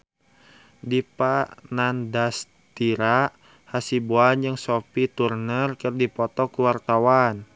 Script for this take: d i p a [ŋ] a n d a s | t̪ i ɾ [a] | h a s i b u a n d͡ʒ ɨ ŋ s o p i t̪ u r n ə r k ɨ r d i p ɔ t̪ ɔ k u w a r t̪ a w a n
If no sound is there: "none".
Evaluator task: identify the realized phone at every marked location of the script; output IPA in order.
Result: n, a

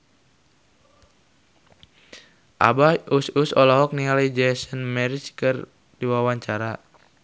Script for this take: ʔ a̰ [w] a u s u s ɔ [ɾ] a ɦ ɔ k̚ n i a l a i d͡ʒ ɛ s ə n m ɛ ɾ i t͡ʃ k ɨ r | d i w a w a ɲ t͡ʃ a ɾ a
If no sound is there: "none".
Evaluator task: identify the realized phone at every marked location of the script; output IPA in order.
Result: b, l

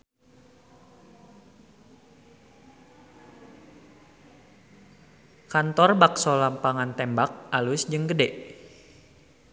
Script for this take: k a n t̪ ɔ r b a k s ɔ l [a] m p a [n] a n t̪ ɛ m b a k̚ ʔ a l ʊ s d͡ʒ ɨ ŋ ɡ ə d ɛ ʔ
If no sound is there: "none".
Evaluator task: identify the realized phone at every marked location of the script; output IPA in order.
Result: a, ŋ

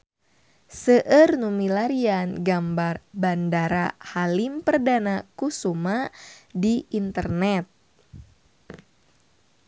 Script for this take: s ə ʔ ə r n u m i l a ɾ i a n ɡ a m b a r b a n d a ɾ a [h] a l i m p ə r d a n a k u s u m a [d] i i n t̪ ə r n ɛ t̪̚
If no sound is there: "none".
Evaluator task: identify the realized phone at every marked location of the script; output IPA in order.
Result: h, d

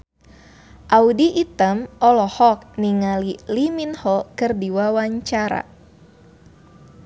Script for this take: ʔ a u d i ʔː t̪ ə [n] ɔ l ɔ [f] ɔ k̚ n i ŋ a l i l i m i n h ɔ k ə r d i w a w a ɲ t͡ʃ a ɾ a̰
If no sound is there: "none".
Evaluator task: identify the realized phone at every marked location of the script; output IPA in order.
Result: m, h

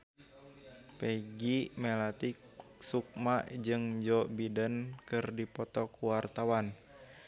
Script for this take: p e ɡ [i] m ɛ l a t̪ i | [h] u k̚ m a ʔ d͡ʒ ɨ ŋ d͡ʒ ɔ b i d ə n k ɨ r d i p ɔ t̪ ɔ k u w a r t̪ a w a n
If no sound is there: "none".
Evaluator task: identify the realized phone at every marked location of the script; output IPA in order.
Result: i, s

